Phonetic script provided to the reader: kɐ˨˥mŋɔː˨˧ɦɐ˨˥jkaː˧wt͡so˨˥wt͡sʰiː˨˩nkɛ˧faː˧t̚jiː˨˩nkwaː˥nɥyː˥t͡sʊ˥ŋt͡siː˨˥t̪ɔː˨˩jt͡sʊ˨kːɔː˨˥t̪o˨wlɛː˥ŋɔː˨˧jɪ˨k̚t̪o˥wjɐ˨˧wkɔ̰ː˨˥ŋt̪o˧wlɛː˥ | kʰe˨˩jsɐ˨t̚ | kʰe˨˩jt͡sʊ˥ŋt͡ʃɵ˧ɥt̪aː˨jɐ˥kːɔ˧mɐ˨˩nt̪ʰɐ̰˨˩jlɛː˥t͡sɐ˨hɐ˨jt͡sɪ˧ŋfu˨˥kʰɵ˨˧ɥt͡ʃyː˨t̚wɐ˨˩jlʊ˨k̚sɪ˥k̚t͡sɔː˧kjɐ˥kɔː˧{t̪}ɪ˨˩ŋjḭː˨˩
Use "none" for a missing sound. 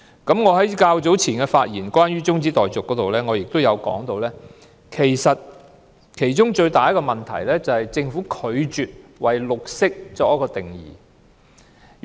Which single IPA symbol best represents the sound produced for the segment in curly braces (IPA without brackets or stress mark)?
t̪